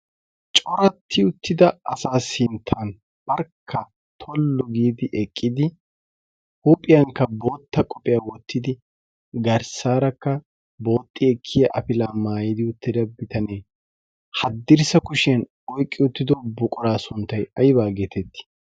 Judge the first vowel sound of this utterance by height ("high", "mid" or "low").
mid